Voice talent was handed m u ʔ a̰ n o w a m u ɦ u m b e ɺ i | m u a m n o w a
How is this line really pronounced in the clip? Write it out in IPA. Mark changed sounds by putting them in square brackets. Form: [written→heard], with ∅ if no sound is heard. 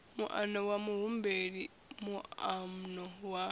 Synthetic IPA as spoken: m u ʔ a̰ n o w a m u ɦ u m b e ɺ i | m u a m n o w a